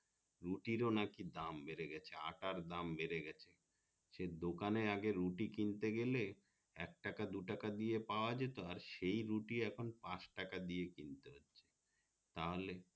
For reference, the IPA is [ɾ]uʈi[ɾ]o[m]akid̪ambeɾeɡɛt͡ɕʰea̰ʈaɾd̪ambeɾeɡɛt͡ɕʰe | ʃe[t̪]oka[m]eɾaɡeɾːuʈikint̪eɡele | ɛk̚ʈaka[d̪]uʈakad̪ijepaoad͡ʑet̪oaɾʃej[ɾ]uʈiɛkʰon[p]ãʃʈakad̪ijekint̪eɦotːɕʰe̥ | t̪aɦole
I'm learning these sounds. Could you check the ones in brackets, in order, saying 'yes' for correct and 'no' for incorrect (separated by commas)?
yes, yes, no, no, no, yes, yes, yes